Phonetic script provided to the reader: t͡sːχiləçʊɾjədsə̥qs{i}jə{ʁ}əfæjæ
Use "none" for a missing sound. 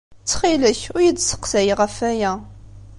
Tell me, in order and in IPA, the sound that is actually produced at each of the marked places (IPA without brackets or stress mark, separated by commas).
æ, ʁ